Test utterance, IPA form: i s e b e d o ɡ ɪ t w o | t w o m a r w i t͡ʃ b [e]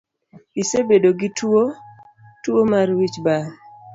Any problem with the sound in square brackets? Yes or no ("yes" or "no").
yes